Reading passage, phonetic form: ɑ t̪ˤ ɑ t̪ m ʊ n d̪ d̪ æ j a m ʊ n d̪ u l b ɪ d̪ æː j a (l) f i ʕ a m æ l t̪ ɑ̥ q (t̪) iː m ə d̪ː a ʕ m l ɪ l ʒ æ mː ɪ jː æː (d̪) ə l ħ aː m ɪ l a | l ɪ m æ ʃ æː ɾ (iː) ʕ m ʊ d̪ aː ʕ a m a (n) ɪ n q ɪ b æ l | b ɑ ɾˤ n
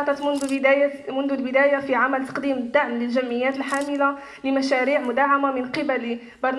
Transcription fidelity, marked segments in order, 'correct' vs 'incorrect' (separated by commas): incorrect, incorrect, incorrect, correct, incorrect